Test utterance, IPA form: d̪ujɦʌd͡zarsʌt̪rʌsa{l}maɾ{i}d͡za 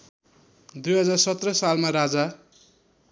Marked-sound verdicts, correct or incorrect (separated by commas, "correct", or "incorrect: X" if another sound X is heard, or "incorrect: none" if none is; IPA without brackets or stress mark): correct, incorrect: a